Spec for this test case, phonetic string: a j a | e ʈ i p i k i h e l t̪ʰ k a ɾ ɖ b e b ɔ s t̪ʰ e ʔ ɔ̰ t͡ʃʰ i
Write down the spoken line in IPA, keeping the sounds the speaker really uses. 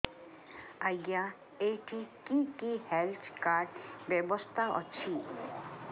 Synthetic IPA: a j a | e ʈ i k i k i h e l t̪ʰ k a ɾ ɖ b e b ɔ s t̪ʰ a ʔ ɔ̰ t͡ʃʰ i